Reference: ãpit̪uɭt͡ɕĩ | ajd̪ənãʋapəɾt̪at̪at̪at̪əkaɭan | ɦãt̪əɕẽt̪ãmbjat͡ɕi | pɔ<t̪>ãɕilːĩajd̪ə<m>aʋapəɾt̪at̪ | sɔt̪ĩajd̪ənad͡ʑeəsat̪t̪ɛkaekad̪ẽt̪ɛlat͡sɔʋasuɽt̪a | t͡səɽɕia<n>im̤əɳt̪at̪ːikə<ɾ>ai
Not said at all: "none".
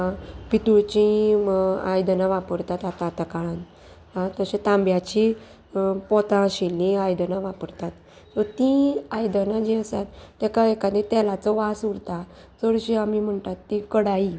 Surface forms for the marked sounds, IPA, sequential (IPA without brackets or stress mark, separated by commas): t̪, n, m, ɽ